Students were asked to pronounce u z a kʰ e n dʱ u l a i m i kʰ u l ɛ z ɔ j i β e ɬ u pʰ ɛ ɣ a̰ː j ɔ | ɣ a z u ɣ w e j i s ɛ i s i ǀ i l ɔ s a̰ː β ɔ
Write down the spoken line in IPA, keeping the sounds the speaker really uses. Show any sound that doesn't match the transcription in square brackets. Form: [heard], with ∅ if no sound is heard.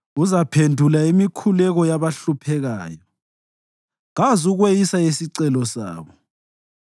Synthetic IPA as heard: u z a [pʰ] e n dʱ u l a i m i kʰ u l ɛ [ɣ] ɔ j [a] β [a] ɬ u pʰ ɛ ɣ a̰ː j ɔ | ɣ a z u ɣ w e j i s [a] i s i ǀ [ɛ] l ɔ s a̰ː β ɔ